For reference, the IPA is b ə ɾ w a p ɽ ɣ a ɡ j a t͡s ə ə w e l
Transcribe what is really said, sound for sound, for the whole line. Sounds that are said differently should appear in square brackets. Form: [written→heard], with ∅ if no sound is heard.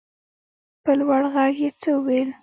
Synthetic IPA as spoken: [b→p] ə [ɾ→l] w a [p→∅] ɽ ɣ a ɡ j [a→e] t͡s ə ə w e l